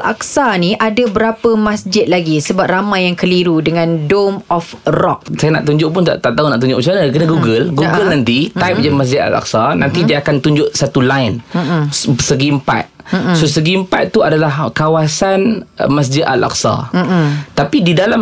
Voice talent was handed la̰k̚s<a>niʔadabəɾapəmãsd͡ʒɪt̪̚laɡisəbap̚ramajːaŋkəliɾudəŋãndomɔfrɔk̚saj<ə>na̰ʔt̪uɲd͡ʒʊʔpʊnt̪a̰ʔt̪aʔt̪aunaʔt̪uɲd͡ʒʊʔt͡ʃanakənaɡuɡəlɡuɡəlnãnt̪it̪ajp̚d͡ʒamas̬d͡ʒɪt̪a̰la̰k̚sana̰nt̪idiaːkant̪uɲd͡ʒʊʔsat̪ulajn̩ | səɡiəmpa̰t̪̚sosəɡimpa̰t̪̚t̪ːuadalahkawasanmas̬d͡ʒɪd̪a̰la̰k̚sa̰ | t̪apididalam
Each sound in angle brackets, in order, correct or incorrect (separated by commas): correct, incorrect